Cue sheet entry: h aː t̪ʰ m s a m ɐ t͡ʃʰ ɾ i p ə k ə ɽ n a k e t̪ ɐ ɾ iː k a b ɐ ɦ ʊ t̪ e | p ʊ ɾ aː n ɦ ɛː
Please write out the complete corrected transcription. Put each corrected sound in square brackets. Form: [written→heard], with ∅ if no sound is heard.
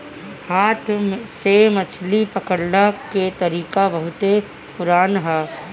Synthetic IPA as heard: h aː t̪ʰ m s [a→e] m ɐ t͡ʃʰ [ɾ→l] i p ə k ə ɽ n a k e t̪ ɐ ɾ iː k a b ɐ ɦ ʊ t̪ e | p ʊ ɾ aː n ɦ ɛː